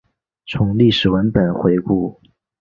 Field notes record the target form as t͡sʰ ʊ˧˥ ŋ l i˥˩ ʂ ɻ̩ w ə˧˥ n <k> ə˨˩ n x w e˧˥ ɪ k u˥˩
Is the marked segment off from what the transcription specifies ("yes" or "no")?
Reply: yes